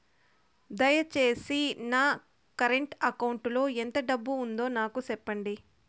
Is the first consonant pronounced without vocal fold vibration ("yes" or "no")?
no